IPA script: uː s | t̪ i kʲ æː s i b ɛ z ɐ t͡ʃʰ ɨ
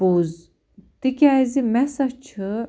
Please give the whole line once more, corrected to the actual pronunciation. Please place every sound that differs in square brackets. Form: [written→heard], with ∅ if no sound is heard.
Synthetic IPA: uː [s→z] | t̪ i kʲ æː [s→z] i [b→m] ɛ [z→s] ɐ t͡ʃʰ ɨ